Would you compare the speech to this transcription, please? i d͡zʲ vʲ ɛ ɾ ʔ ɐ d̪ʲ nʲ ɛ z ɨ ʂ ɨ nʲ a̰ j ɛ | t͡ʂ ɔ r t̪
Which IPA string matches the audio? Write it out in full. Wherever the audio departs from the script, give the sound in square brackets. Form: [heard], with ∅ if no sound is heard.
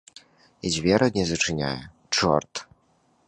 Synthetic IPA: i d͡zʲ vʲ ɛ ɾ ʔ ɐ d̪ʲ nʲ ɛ z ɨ [t͡ʂ] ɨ nʲ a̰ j ɛ | t͡ʂ ɔ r t̪

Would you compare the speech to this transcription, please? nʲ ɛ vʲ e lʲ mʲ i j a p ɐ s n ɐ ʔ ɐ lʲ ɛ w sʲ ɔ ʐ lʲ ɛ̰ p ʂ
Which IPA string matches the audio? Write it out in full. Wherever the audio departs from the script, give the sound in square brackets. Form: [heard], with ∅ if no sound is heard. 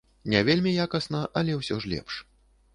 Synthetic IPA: nʲ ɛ vʲ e lʲ mʲ i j a [k] ɐ s n ɐ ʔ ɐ lʲ ɛ w sʲ ɔ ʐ lʲ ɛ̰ p ʂ

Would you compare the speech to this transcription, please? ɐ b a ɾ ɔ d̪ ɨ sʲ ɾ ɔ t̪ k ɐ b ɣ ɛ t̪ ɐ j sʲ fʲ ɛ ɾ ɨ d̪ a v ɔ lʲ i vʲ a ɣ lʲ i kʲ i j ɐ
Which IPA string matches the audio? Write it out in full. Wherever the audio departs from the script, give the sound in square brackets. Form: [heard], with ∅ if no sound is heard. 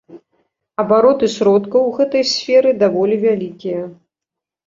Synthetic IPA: ɐ b a ɾ ɔ [t̪] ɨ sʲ ɾ ɔ t̪ k ɐ [w] ɣ ɛ t̪ ɐ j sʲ fʲ ɛ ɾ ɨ d̪ a v ɔ lʲ i vʲ a [∅] lʲ i kʲ i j ɐ

